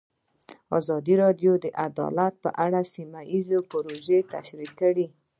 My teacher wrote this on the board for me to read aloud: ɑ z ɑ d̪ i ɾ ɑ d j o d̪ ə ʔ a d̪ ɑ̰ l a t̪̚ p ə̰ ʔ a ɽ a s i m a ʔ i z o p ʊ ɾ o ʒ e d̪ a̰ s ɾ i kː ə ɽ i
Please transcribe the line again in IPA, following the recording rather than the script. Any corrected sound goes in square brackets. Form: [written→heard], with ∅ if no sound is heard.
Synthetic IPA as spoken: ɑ z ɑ d̪ i ɾ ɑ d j o d̪ ə ʔ a d̪ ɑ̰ l a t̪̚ p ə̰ ʔ a ɽ a s i m a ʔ i z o p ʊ ɾ o ʒ e [d̪→t̪] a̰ [s→ʃ] ɾ i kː ə ɽ i